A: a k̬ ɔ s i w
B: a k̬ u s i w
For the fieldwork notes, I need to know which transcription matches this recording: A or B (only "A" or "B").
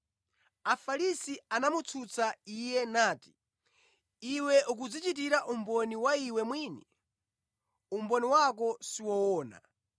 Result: A